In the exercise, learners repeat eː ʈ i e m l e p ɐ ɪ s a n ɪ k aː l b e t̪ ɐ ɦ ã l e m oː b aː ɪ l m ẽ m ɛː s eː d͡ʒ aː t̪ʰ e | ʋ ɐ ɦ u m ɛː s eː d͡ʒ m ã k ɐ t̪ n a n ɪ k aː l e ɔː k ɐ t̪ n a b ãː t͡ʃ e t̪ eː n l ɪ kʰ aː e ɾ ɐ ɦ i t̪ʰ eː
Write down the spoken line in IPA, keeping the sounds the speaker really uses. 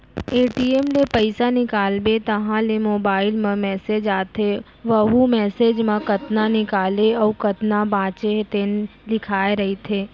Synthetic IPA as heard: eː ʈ i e m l e p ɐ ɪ s a n ɪ k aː l b e t̪ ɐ ɦ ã l e m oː b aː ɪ l m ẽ m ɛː s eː d͡ʒ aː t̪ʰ e | ʋ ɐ ɦ u m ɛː s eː d͡ʒ m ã k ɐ t̪ n a n ɪ k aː l e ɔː k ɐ t̪ n a b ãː t͡ʃ e t̪ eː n l ɪ kʰ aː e ɾ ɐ ɦ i t̪ʰ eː

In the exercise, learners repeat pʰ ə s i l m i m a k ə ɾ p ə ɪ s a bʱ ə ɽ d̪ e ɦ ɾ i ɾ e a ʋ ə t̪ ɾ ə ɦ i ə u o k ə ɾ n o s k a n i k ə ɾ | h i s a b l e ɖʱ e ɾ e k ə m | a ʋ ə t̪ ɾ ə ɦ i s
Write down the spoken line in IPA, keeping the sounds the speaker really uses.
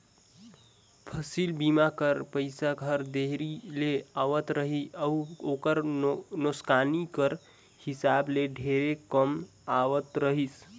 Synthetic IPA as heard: pʰ ə s i l b i m a k ə ɾ p ə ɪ s a ɡʱ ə ɾ d̪ e ɦ ɾ i l e a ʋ ə t̪ ɾ ə ɦ i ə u o k ə ɾ n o s k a n i k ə ɾ | h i s a b l e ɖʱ e ɾ e k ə m | a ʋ ə t̪ ɾ ə ɦ i s

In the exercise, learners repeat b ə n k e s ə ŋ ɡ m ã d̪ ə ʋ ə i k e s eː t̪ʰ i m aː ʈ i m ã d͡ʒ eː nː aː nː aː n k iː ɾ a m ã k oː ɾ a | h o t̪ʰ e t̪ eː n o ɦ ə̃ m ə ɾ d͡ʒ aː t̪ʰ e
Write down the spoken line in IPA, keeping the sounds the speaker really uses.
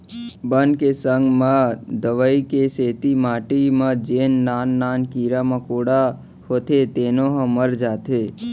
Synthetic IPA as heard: b ə n k e s ə ŋ ɡ m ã d̪ ə ʋ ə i k e s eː t̪ i m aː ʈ i m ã d͡ʒ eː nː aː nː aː n k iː ɾ a m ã k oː ɽ a | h o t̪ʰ e t̪ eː n o ɦ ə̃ m ə ɾ d͡ʒ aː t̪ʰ e

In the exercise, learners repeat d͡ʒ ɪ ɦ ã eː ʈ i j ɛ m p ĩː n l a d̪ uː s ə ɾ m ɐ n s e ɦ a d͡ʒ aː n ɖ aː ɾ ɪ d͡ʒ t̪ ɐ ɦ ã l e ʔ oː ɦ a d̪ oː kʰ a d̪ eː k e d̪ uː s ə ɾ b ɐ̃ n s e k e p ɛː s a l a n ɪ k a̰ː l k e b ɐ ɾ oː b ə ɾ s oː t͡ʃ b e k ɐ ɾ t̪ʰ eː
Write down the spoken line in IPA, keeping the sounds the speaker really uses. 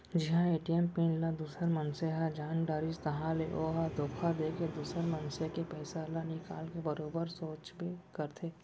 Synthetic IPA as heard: d͡ʒ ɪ ɦ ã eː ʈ i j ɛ m p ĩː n l a d̪ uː s ə ɾ m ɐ n s e ɦ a d͡ʒ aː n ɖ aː ɾ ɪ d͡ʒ t̪ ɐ ɦ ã l e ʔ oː ɦ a d̪ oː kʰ a d̪ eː k e d̪ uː s ə ɾ m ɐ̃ n s e k e p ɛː s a l a n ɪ k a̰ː l k e b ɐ ɾ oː b ə ɾ s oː t͡ʃ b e k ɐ ɾ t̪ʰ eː

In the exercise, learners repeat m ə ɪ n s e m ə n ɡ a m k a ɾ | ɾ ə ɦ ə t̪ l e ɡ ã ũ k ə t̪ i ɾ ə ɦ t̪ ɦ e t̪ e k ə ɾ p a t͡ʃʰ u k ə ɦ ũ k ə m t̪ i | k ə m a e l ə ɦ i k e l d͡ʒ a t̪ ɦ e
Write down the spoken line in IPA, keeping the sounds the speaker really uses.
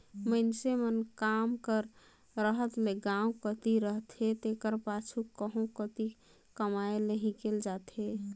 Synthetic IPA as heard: m ə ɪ n s e m ə n k a m k ə ɾ | ɾ ə ɦ ə t̪ l e ɡ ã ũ k ə t̪ i ɾ ə ɦ t̪ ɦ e t̪ e k ə ɾ p a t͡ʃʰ u k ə ɦ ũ k ə t̪ i | k ə m a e l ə ɦ i k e l d͡ʒ a t̪ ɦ e

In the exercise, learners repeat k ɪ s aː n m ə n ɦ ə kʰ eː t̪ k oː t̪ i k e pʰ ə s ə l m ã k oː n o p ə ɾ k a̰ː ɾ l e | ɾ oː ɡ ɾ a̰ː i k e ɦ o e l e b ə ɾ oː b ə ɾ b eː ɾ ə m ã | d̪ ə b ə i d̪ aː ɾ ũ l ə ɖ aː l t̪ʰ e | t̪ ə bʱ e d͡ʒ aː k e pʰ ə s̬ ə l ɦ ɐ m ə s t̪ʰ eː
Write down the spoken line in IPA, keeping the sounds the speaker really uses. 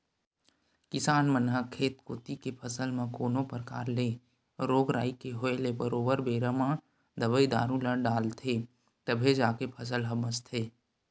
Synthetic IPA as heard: k ɪ s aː n m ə n ɦ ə kʰ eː t̪ k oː t̪ i k e pʰ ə s ə l m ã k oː n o p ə ɾ k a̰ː ɾ l e | ɾ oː ɡ ɾ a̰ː i k e ɦ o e l e b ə ɾ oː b ə ɾ b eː ɾ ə m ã | d̪ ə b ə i d̪ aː ɾ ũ l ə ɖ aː l t̪ʰ e | t̪ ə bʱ e d͡ʒ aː k e pʰ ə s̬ ə l ɦ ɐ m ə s t̪ʰ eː

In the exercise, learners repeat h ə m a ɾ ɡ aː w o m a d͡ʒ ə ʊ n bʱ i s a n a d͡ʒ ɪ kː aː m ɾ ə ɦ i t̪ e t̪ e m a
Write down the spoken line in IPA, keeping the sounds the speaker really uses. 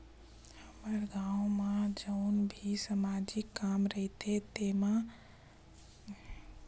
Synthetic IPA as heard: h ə m ə ɾ ɡ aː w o m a d͡ʒ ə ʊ n bʱ i s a m a d͡ʒ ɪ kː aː m ɾ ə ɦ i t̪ e t̪ e m a

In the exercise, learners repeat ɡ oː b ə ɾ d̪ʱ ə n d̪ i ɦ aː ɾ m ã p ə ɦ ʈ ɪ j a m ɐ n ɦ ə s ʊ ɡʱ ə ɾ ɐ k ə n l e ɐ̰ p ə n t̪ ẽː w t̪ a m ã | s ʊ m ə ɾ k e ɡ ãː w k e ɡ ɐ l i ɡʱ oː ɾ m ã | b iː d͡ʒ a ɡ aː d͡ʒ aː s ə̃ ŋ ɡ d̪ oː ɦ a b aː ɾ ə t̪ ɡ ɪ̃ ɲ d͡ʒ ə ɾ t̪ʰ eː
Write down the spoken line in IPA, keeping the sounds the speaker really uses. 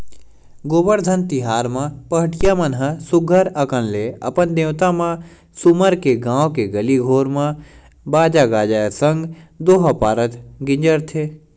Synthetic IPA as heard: ɡ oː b ə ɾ d̪ʱ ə n t̪ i ɦ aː ɾ m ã p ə ɦ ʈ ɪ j a m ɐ n ɦ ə s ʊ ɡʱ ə ɾ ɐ k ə n l e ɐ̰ p ə n d̪ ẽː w t̪ a m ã | s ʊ m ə ɾ k e ɡ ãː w k e ɡ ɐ l i ɡʱ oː ɾ m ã | b aː d͡ʒ a ɡ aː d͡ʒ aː s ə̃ ŋ ɡ d̪ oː ɦ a p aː ɾ ə t̪ ɡ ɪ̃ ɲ d͡ʒ ə ɾ t̪ʰ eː

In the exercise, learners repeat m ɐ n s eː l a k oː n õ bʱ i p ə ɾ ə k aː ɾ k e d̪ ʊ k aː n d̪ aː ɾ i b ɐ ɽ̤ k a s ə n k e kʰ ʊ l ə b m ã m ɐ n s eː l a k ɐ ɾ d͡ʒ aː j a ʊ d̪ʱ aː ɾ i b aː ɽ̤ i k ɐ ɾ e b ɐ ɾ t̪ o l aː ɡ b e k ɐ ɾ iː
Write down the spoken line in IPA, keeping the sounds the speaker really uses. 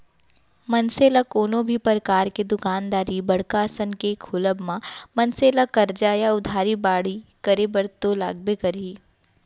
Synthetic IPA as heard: m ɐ n s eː l a k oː n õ bʱ i p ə ɾ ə k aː ɾ k e d̪ ʊ k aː n d̪ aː ɾ i b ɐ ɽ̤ k a s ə n k e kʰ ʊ l ə b m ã m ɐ n s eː l a k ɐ ɾ d͡ʒ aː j a ʊ d̪ʱ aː ɾ i b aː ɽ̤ i k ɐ ɾ e b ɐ ɾ t̪ o l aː ɡ b e k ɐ ɾ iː

